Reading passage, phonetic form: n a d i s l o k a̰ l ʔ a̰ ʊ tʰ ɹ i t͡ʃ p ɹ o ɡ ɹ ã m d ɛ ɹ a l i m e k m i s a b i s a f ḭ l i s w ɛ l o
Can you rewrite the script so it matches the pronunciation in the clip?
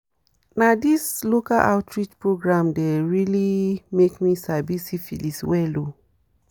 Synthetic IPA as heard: n a d i s l o k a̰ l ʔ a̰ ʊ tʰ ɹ i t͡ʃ p ɹ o ɡ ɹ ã m d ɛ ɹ i l i m e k m i s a b i s i f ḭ l i s w ɛ l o